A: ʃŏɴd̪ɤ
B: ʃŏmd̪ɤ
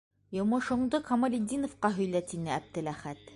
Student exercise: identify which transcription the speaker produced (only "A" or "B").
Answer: A